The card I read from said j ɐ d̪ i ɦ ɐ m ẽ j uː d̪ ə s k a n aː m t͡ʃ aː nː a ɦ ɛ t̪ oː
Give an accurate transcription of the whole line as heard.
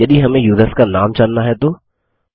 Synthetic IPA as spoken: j ɐ d̪ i ɦ ɐ m ẽ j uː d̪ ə s k a n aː m t͡ʃ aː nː a ɦ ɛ t̪ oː